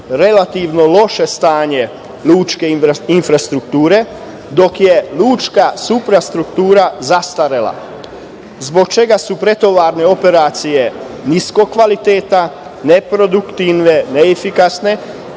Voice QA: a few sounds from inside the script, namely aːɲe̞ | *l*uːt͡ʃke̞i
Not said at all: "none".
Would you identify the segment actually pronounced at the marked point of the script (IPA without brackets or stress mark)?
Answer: l